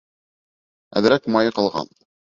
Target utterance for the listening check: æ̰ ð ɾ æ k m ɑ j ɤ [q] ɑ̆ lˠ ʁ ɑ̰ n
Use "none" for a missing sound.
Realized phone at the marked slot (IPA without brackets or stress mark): q